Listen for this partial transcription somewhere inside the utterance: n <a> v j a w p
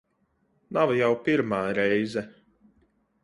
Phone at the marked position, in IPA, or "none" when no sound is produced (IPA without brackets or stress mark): a